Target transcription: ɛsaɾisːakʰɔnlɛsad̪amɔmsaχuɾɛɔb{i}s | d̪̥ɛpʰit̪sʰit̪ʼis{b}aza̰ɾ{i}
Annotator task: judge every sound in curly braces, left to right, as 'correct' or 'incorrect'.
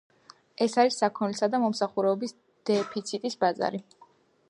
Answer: correct, correct, correct

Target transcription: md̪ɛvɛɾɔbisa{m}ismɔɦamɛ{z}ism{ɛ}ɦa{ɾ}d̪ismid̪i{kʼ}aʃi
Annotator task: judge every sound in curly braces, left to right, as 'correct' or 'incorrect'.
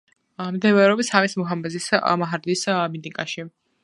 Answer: correct, correct, incorrect: a, correct, correct

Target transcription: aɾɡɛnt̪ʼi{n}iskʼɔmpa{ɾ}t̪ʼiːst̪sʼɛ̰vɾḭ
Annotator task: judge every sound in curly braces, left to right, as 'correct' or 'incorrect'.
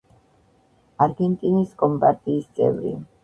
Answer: correct, correct

